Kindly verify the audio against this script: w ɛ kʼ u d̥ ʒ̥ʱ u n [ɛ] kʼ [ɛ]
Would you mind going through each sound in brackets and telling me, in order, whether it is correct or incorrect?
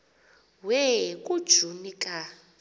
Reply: incorrect: i, incorrect: a

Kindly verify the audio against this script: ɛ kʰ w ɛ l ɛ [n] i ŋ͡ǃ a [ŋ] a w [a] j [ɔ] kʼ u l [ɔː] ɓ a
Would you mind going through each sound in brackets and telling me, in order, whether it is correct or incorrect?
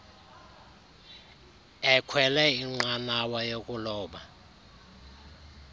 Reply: incorrect: none, incorrect: n, correct, incorrect: o, correct

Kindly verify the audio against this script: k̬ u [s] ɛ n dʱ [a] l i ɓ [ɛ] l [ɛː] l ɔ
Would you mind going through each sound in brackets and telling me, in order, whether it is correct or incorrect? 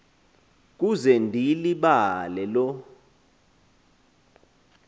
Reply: incorrect: z, incorrect: i, incorrect: a, incorrect: ɛ

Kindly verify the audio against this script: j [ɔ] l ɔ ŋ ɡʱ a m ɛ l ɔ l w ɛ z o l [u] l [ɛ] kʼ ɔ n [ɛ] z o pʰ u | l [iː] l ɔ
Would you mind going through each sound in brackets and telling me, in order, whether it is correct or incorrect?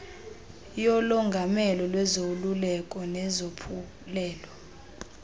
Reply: correct, correct, correct, correct, incorrect: ɛː

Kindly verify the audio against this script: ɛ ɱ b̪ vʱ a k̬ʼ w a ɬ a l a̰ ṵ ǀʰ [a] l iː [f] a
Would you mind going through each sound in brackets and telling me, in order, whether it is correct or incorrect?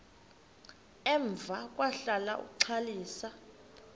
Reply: correct, incorrect: s

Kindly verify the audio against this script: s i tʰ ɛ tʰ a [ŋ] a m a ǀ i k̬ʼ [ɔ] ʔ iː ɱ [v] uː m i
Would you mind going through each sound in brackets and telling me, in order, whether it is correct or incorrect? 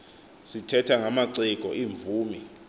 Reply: correct, correct, correct

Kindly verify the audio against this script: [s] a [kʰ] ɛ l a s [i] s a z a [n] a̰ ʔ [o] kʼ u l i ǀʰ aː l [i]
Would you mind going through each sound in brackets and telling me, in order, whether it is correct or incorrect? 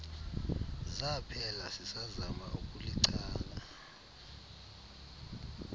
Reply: incorrect: z, incorrect: pʰ, correct, incorrect: m, incorrect: u, incorrect: a

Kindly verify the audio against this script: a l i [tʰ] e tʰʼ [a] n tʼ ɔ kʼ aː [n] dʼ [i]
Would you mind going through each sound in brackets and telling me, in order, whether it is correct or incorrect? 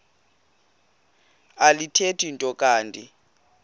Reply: correct, incorrect: i, correct, correct

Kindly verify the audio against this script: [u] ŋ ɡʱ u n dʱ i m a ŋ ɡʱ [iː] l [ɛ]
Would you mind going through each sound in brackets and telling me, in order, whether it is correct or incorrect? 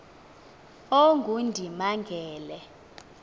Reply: incorrect: o, incorrect: ɛː, correct

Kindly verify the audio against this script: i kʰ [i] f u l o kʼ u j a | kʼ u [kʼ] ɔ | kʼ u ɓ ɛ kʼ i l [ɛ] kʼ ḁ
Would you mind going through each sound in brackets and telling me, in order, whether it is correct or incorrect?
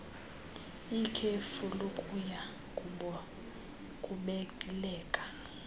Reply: incorrect: e, incorrect: none, incorrect: ɛː

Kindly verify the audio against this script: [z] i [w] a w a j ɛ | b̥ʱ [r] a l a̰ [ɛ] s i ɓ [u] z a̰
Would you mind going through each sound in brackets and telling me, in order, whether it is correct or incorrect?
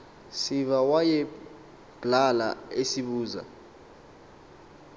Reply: incorrect: s, incorrect: v, incorrect: l, incorrect: e, incorrect: uː

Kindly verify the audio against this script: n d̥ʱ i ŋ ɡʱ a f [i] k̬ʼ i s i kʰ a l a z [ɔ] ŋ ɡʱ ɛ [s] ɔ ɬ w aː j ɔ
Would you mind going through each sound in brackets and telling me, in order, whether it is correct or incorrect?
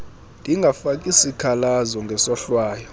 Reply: incorrect: a, correct, correct

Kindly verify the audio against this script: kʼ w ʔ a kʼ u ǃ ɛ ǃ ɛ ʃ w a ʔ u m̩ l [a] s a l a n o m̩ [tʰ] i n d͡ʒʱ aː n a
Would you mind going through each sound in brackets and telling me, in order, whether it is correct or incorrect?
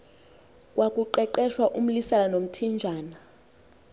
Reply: incorrect: i, correct

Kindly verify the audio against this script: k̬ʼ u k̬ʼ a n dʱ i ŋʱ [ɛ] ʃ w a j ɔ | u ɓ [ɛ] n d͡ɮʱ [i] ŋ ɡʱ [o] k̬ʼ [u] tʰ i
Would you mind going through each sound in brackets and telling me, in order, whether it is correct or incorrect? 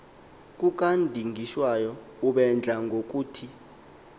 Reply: incorrect: i, correct, incorrect: a, correct, incorrect: uː

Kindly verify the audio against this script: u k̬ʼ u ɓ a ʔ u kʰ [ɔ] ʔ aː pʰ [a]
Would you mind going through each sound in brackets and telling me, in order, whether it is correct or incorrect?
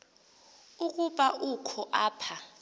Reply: correct, correct

